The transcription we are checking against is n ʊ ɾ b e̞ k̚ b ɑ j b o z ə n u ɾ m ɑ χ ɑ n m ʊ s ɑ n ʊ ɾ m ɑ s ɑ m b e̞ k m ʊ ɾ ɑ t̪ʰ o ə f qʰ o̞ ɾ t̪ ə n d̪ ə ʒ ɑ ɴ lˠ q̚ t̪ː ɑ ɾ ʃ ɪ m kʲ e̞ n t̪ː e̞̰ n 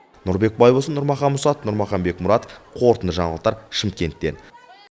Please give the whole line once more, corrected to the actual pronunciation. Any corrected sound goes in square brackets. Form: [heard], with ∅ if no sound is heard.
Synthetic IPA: n ʊ ɾ b e̞ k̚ b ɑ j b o [s] ə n [ʊ] ɾ m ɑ χ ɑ n m ʊ s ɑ n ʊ ɾ m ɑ [χ] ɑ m b e̞ k m ʊ ɾ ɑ [t̪] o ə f qʰ o̞ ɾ t̪ ə n d̪ ə ʒ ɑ ɴ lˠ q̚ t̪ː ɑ ɾ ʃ ɪ m kʲ e̞ n t̪ː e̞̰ n